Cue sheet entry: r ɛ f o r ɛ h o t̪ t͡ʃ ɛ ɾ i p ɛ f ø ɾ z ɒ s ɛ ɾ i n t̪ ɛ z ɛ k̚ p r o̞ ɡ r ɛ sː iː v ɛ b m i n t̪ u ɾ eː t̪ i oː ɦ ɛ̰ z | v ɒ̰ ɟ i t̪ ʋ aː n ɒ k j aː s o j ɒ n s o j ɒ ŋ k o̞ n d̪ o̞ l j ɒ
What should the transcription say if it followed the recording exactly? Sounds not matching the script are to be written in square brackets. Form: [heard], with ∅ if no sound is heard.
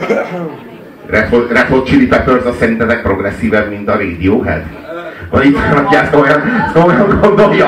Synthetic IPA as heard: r ɛ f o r ɛ [f] o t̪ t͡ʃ [i] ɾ i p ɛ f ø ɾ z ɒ s ɛ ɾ i n t̪ ɛ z ɛ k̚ p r o̞ ɡ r ɛ sː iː v ɛ b m i n t̪ [ɒ] ɾ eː [d̪] i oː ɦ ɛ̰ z | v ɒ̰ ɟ i t̪ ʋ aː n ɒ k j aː s o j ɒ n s o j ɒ ŋ [ɡ] o̞ n d̪ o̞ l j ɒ